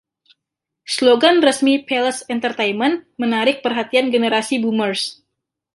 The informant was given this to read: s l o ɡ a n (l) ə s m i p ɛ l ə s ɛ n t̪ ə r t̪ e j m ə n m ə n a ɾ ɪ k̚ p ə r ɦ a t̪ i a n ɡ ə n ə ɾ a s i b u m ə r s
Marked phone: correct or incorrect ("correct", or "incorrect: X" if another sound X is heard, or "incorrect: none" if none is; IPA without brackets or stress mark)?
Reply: incorrect: r